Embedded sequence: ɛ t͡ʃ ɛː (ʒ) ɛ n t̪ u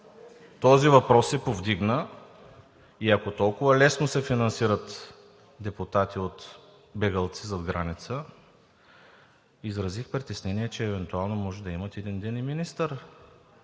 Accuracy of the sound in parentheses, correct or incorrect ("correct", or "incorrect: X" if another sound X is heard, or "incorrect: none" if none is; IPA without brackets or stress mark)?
incorrect: v